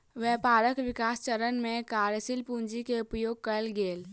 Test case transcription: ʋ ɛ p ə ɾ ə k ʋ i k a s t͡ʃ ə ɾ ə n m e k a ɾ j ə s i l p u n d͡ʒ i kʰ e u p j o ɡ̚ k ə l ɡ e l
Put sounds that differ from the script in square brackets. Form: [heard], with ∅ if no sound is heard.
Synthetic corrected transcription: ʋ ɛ p [a] ɾ ə k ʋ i k a s t͡ʃ ə ɾ ə n m e k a ɾ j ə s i l p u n d͡ʒ i [k] e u p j o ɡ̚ k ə l ɡ e l